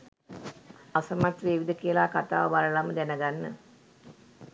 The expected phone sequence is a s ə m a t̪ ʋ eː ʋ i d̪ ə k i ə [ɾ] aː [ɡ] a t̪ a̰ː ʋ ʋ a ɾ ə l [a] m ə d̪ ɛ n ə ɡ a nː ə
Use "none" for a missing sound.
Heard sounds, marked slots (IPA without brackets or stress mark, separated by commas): l, k, a